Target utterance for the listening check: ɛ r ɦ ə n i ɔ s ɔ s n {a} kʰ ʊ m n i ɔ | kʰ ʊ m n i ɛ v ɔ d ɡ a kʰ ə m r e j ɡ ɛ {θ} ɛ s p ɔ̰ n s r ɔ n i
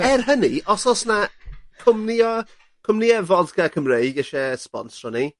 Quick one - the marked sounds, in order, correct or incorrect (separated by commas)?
correct, incorrect